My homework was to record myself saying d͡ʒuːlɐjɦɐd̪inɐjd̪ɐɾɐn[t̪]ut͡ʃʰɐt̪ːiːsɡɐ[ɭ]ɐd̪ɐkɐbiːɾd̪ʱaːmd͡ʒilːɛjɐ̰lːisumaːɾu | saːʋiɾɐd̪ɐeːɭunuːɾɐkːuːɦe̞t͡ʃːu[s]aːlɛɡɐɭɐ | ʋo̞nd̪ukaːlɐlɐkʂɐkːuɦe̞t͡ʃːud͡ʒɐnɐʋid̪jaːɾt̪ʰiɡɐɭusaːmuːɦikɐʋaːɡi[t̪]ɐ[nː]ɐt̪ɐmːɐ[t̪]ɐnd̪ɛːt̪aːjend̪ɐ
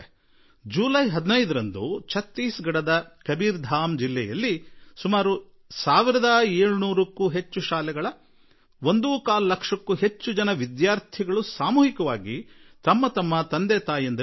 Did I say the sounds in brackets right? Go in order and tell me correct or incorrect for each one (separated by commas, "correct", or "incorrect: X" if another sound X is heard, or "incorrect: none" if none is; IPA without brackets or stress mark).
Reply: incorrect: d̪, incorrect: ɽ, incorrect: ʃ, correct, incorrect: mː, correct